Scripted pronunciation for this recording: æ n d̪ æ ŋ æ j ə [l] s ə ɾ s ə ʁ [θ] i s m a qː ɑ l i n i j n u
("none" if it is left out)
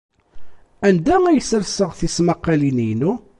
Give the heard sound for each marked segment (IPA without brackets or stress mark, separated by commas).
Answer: none, θ